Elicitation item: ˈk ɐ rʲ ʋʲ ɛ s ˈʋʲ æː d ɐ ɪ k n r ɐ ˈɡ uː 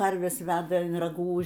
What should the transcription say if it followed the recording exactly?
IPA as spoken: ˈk ɐ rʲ ʋʲ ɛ s ˈʋʲ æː d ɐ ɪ n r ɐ ˈɡ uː